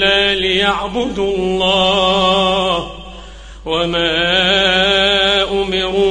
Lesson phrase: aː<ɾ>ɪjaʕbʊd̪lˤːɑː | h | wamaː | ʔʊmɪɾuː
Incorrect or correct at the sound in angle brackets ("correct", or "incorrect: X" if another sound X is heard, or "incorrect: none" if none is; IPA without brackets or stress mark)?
incorrect: l